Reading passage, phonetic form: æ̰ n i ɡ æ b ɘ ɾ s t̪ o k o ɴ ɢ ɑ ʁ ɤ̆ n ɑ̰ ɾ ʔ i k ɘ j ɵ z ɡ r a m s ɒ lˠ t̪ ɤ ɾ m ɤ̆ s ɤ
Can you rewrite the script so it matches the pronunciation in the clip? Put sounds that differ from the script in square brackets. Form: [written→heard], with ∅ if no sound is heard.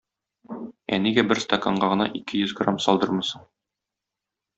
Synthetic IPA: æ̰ n i ɡ æ b ɘ ɾ s t̪ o k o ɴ ɢ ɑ ʁ ɤ̆ n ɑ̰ [ɾ→∅] ʔ i k ɘ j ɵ z ɡ r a m s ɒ lˠ [t̪→d̪] ɤ ɾ m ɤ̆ s ɤ